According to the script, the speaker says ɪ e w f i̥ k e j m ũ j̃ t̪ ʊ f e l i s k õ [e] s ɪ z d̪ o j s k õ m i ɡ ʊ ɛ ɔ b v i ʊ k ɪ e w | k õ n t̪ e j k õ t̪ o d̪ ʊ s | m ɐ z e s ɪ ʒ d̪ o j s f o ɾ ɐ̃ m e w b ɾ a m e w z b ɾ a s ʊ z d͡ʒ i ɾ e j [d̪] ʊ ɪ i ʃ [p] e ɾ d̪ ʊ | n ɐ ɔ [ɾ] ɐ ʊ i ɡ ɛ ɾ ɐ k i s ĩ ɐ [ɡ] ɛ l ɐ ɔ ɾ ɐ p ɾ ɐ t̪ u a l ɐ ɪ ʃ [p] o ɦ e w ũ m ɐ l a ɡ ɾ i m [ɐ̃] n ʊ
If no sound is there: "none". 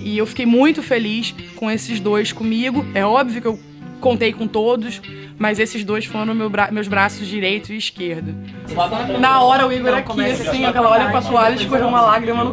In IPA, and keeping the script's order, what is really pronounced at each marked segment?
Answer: e, t̪, k, ɾ, k, k, ɐ

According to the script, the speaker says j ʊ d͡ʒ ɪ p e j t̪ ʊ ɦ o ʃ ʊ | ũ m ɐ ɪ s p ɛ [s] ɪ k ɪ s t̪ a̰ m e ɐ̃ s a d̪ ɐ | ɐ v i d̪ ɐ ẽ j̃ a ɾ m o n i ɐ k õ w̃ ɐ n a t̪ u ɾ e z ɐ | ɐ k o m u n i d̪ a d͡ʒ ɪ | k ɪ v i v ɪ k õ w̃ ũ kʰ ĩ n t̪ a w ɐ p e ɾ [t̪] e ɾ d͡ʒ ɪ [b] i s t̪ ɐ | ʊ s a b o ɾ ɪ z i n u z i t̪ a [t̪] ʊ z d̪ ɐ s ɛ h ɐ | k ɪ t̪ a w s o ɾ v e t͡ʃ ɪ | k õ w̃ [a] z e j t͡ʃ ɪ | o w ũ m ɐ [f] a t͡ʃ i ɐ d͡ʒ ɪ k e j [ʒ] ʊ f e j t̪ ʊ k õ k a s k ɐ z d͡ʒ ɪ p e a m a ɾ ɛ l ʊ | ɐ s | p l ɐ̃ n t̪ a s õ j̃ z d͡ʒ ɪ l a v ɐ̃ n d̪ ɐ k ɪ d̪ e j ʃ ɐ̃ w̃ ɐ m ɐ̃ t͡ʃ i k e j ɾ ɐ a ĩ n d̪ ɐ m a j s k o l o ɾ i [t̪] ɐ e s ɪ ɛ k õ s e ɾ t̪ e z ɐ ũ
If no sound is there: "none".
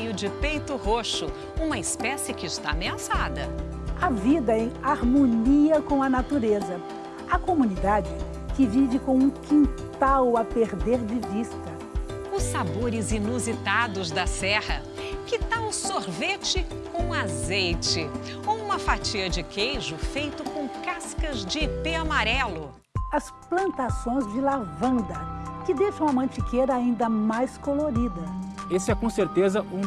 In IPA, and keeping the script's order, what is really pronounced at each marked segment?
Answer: s, d̪, v, d̪, a, f, ʒ, d̪

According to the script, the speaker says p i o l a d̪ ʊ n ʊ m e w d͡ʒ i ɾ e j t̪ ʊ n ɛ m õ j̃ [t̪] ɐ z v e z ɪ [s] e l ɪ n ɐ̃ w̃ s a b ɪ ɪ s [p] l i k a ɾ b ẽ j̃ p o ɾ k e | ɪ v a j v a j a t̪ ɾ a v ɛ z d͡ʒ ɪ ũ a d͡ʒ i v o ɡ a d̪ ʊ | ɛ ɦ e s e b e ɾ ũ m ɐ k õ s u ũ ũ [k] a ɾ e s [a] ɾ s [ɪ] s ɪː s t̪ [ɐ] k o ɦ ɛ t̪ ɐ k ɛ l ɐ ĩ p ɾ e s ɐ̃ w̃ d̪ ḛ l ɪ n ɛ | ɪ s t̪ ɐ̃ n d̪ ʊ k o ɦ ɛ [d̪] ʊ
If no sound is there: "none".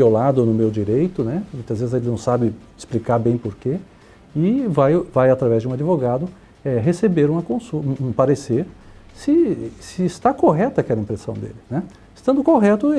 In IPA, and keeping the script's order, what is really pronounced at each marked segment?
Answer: t̪, z, p, p, e, ɪ, a, t̪

